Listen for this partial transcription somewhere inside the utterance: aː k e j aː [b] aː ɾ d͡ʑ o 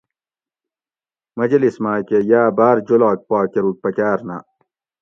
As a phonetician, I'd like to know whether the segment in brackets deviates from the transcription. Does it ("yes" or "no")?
no